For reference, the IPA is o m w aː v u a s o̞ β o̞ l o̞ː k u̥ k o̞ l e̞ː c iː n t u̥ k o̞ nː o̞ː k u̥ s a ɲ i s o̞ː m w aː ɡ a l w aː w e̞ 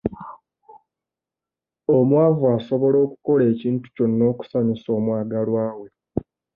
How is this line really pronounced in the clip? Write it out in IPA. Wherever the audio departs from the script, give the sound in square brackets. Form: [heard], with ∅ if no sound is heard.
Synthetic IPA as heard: o m w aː v u a s o̞ β o̞ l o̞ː k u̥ k o̞ l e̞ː c iː n t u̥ [c] o̞ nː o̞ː k u̥ s a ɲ i s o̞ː m w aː ɡ a l w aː w e̞